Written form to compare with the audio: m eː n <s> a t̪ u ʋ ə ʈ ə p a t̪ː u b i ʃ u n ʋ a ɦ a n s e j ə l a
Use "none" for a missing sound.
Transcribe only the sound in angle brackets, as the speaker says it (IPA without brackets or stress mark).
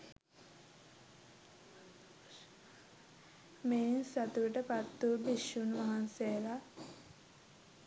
s